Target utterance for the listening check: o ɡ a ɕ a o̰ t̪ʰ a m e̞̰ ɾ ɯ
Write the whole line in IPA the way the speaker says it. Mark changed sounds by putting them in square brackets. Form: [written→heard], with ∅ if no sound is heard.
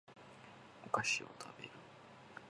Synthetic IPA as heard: o [ɡ→k] a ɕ [a→i] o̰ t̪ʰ a [m→b] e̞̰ ɾ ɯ